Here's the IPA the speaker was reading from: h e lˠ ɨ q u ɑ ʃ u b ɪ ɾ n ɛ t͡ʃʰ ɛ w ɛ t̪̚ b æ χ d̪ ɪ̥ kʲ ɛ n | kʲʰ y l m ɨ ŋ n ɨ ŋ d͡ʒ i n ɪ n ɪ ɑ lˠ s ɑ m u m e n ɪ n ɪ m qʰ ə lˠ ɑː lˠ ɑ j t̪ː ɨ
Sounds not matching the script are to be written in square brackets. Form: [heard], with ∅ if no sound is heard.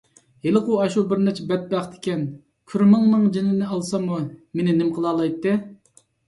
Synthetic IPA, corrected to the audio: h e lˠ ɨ q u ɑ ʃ u b ɪ ɾ n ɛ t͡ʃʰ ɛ [b] ɛ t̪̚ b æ χ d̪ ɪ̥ kʲ ɛ n | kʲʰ y [ɾ] m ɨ ŋ n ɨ ŋ d͡ʒ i n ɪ n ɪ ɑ lˠ s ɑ m u m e n ɪ n ɪ m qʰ ə lˠ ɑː lˠ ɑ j t̪ː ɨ

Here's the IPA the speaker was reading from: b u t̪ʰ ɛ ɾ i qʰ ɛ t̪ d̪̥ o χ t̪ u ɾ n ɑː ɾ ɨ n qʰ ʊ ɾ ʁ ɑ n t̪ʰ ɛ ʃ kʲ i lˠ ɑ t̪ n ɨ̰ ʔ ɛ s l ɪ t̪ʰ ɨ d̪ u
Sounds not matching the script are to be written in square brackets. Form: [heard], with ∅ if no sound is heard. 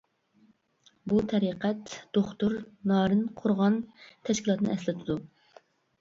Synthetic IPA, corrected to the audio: b u t̪ʰ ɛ ɾ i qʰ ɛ t̪ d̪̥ o χ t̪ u ɾ n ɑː ɾ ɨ n qʰ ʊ ɾ ʁ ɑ n t̪ʰ ɛ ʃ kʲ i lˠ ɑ t̪ n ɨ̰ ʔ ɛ s l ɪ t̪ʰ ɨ d̪ u

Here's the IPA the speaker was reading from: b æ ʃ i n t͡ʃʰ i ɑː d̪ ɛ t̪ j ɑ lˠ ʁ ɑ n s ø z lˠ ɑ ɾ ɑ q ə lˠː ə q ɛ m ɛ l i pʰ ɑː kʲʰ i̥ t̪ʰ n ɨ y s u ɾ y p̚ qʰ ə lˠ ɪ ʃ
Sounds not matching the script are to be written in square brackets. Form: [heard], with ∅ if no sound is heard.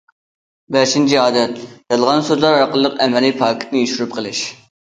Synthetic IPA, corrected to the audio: b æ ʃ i n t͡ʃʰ i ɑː d̪ ɛ t̪ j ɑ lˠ ʁ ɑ n s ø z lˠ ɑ ɾ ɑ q ə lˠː ə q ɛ m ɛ l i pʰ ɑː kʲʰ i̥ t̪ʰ n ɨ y [ʃ] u ɾ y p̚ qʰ ə lˠ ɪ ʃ

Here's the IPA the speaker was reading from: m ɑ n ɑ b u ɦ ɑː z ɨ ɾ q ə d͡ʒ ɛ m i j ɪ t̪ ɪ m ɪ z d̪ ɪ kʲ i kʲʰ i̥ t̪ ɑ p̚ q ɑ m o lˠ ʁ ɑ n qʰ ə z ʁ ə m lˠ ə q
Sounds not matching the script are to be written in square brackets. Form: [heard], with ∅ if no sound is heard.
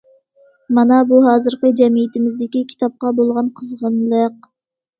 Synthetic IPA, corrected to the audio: m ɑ n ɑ b u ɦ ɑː z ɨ ɾ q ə d͡ʒ ɛ m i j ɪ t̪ ɪ m ɪ z d̪ ɪ kʲ i kʲʰ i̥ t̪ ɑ p̚ q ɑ [b] o lˠ ʁ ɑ n qʰ ə z ʁ ə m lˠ ə q

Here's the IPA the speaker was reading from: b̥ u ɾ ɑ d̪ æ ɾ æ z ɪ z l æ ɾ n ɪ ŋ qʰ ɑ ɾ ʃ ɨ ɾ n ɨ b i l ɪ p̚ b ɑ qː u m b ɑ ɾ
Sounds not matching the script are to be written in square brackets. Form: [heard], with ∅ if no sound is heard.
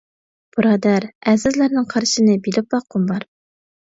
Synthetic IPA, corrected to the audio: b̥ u ɾ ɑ d̪ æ ɾ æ z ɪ z l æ ɾ n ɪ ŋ qʰ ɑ ɾ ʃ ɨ [∅] n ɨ b i l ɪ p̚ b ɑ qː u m b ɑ ɾ

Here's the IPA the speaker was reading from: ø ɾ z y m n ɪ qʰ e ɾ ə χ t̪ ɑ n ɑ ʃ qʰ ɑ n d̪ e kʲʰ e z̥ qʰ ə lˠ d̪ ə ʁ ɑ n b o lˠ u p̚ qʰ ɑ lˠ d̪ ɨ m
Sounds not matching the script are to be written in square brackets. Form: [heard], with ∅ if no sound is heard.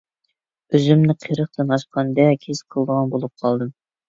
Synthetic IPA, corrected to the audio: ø [∅] z y m n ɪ qʰ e ɾ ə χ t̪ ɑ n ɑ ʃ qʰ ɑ n d̪ [ɛ] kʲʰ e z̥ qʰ ə lˠ d̪ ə ʁ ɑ n b o lˠ u p̚ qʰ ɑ lˠ d̪ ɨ m

